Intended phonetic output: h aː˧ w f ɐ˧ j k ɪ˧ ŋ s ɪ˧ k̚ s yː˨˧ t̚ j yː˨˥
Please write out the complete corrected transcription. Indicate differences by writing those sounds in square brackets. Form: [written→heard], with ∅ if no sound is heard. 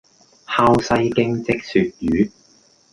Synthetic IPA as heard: h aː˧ w [f→s] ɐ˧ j k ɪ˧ ŋ [s→t͡s] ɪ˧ k̚ s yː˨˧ t̚ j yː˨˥